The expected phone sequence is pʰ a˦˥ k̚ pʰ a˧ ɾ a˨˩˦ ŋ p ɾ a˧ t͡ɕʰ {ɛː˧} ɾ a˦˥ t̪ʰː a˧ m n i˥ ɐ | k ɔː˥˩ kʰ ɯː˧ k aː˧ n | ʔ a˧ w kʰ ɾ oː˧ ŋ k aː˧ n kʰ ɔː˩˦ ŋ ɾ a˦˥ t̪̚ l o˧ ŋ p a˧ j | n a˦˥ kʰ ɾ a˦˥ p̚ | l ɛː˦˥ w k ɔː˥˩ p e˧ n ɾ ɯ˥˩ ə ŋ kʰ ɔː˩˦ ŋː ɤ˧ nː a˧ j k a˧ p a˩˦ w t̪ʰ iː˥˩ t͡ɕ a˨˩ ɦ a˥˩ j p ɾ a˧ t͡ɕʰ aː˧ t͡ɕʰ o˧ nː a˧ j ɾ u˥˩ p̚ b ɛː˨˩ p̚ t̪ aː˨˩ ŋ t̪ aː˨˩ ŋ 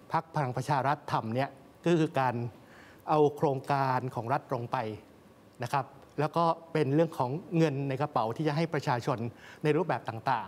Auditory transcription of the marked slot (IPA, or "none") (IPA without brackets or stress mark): aː˧